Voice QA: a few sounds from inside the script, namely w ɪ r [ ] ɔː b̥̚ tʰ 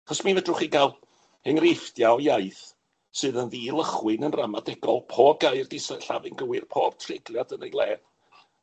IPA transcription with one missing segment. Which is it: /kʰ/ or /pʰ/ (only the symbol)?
pʰ